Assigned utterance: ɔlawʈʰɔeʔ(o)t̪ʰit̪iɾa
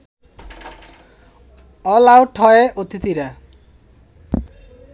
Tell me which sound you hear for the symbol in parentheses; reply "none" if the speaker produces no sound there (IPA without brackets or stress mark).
o